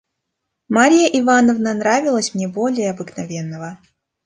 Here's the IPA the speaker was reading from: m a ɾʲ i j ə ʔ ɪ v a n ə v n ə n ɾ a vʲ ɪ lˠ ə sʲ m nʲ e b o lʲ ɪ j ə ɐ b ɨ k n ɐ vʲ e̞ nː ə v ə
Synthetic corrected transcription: m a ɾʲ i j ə ʔ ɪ v a n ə v n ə n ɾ a vʲ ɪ lˠ ə sʲ m nʲ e b o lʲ ɪ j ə ɐ b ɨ k n ɐ vʲ e̞ nː ə v ə